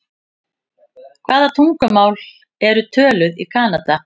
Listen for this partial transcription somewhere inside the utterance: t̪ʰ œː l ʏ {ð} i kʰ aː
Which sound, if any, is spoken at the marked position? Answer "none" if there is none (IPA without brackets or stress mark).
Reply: ð